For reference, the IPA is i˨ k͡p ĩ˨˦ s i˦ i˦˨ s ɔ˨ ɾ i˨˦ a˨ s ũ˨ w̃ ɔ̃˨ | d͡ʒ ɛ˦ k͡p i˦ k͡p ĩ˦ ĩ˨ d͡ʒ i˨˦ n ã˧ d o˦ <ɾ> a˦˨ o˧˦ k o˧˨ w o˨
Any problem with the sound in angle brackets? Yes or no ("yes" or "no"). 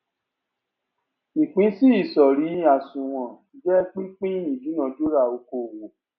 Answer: no